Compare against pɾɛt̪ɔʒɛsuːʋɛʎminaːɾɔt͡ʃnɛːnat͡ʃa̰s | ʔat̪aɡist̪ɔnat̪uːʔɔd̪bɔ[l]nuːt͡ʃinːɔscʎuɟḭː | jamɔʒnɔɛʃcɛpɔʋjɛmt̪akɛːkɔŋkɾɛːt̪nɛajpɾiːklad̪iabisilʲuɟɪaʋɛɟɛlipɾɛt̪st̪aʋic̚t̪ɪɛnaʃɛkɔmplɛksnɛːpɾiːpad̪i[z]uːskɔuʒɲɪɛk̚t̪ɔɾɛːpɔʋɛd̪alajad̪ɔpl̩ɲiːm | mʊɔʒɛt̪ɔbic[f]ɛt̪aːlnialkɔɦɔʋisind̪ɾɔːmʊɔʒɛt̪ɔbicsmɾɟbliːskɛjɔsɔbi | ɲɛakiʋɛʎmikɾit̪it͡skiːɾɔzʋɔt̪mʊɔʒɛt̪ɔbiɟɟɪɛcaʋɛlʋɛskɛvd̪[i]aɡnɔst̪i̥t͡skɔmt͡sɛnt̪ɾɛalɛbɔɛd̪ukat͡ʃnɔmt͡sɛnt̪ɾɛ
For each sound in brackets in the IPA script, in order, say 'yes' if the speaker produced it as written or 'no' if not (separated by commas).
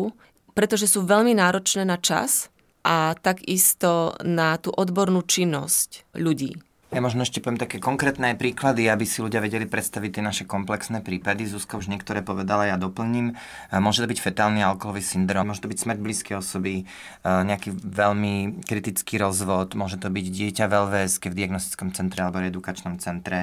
no, yes, yes, yes